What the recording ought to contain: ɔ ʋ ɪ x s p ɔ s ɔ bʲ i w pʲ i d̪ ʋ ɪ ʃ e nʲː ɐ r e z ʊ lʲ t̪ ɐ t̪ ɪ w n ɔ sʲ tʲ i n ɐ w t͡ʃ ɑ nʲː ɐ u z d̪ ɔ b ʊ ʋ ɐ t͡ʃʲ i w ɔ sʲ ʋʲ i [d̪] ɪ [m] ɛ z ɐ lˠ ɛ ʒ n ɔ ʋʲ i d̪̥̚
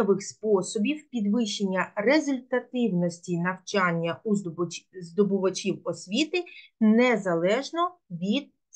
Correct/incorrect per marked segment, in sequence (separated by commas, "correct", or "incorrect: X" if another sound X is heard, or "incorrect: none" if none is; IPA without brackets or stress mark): incorrect: t̪, incorrect: n